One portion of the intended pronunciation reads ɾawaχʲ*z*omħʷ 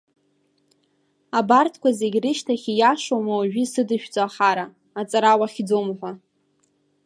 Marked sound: incorrect: d͡z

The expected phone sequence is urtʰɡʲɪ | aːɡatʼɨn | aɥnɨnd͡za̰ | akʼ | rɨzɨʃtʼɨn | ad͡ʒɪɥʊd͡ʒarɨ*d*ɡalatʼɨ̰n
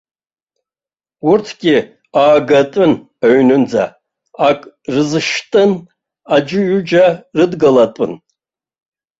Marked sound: correct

